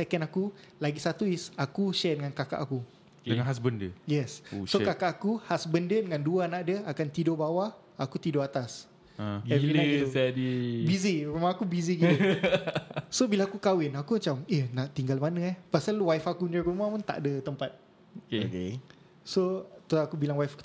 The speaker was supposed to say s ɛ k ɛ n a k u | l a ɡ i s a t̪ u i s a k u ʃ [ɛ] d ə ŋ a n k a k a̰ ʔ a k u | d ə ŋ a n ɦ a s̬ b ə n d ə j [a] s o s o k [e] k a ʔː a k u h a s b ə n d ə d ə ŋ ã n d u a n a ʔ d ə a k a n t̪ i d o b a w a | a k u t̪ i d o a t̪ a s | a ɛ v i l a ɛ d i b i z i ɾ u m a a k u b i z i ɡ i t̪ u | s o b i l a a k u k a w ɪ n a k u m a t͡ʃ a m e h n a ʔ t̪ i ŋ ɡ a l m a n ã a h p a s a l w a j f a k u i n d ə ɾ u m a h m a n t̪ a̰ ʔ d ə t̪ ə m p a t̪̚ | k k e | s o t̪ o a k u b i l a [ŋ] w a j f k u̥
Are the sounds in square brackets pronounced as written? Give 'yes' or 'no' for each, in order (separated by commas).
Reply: yes, no, no, yes